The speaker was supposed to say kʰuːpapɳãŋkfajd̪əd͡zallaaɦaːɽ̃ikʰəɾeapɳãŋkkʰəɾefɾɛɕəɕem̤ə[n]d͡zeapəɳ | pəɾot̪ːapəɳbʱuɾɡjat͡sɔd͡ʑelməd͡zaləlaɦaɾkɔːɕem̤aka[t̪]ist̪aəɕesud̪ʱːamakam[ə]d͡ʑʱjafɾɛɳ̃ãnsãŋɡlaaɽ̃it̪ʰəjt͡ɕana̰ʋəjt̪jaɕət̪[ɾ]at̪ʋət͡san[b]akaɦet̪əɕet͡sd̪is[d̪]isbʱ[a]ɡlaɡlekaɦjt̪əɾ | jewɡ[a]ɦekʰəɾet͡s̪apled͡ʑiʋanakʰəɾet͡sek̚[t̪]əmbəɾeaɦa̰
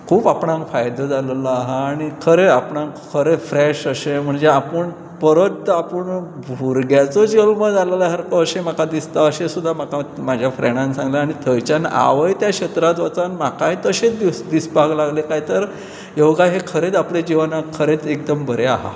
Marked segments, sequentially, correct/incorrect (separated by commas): incorrect, incorrect, incorrect, correct, incorrect, correct, correct, correct, incorrect